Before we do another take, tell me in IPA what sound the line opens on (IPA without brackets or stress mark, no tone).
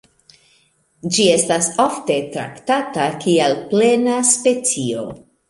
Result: d͡ʒ